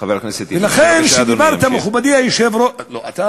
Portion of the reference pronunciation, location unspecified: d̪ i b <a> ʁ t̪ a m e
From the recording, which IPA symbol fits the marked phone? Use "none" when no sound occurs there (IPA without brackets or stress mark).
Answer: a